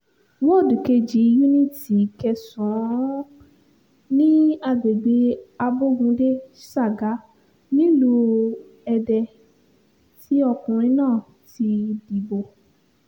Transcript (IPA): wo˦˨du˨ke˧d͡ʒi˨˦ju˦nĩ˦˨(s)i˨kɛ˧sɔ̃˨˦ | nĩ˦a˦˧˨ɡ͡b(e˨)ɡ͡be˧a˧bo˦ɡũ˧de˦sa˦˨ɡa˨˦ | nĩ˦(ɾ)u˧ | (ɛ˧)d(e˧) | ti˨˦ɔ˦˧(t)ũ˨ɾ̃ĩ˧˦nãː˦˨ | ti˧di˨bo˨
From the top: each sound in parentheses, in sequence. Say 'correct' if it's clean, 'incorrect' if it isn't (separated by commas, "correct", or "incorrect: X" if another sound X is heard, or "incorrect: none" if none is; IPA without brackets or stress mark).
incorrect: t, correct, incorrect: l, correct, incorrect: ɛ˧, incorrect: k